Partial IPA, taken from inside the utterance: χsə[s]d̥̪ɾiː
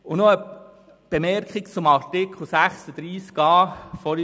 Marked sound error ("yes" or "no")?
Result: yes